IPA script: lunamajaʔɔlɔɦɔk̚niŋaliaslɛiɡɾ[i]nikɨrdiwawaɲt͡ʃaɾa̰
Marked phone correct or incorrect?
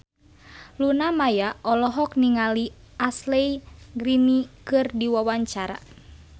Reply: correct